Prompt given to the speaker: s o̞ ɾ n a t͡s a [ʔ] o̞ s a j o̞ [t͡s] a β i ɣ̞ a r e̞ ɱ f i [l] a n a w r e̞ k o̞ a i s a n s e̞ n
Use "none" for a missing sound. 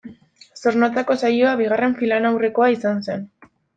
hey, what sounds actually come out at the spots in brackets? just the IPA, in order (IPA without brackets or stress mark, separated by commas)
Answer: k, none, l